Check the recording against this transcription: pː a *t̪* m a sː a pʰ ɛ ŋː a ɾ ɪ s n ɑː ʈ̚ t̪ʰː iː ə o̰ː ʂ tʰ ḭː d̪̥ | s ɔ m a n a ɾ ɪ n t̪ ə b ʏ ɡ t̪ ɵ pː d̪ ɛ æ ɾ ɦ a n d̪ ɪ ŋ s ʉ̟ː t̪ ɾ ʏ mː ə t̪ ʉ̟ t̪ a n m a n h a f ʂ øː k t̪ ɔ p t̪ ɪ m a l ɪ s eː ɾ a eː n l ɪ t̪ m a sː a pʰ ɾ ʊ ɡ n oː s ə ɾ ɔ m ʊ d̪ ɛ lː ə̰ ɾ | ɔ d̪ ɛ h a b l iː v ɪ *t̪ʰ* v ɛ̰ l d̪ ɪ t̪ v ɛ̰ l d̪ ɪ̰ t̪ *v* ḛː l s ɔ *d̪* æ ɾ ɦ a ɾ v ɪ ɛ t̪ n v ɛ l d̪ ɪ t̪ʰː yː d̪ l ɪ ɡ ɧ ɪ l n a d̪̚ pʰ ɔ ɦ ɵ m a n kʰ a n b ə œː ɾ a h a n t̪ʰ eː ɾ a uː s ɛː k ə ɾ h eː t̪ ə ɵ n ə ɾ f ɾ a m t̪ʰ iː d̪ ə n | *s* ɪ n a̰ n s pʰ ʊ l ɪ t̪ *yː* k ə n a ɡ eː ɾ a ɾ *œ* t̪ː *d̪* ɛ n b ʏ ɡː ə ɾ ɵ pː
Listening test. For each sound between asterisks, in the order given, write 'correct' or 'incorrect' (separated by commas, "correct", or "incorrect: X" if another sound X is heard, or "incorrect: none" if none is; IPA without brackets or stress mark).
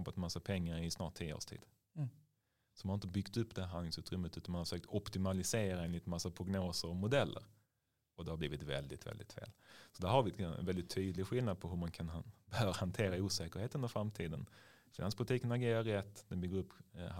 correct, incorrect: t̪, incorrect: f, correct, incorrect: f, incorrect: iː, incorrect: ɛ, correct